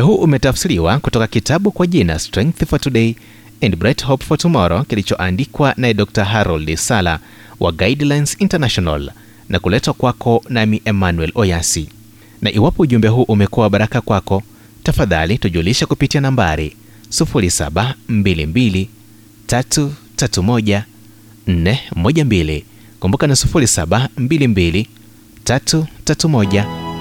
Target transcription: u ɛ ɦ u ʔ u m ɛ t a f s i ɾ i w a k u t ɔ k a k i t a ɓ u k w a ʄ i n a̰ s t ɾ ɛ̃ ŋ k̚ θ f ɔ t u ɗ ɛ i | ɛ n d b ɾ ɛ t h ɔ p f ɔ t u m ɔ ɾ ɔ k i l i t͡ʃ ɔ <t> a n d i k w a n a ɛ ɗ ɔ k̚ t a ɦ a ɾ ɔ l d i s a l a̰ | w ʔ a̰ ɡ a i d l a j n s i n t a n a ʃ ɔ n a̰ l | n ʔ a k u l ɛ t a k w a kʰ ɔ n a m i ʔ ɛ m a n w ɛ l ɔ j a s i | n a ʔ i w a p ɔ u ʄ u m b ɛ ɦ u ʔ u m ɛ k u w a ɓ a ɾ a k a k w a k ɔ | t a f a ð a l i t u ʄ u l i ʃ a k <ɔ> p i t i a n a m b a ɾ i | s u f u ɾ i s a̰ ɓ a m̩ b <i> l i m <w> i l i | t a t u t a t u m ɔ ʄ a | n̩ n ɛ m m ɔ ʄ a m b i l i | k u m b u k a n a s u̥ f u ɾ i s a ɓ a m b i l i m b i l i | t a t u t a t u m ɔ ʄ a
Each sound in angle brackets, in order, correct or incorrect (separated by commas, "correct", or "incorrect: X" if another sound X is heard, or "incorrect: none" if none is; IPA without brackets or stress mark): incorrect: ʔ, incorrect: u, correct, incorrect: b